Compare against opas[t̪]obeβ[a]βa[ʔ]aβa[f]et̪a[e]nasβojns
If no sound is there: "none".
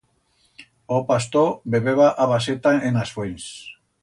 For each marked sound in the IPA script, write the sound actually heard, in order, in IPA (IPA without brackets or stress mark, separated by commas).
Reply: t̪, e, ʔ, s, e